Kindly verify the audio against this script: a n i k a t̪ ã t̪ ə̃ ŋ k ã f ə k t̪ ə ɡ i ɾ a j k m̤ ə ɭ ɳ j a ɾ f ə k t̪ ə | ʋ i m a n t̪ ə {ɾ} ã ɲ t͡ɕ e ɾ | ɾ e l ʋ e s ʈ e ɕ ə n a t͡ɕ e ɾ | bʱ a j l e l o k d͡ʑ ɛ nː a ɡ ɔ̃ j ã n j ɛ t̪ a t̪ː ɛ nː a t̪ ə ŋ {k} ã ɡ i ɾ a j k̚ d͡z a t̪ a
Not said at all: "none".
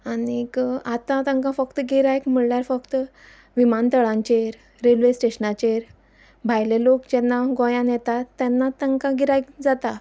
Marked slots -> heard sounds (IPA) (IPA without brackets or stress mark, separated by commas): ɭ, k